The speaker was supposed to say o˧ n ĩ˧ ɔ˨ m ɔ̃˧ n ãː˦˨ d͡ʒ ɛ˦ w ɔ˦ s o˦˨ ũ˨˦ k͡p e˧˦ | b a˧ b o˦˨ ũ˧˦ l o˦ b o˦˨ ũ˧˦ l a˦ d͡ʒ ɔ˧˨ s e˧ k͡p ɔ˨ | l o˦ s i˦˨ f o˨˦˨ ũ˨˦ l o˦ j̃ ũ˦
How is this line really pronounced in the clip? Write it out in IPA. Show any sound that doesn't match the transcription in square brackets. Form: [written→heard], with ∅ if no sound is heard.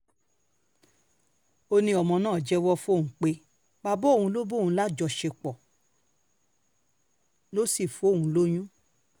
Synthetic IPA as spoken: o˧ n ĩ˧ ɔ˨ m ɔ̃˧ n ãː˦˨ d͡ʒ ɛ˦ w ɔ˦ [s→f] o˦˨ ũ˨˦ k͡p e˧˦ | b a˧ b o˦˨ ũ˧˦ l o˦ b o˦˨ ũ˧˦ l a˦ d͡ʒ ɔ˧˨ [s→ʃ] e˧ k͡p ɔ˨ | l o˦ s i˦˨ f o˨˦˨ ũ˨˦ l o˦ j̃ ũ˦